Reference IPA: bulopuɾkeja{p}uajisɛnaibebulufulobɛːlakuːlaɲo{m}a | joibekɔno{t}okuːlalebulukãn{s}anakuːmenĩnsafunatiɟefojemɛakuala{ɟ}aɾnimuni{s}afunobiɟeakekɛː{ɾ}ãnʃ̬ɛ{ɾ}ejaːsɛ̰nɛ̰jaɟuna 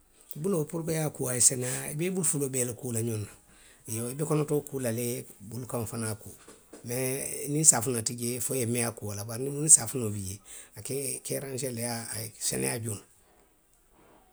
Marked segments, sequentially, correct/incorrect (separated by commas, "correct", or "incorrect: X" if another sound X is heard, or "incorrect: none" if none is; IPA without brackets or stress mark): incorrect: k, incorrect: n, correct, incorrect: f, incorrect: b, correct, correct, incorrect: l